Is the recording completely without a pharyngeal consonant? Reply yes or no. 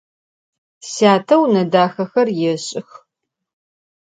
yes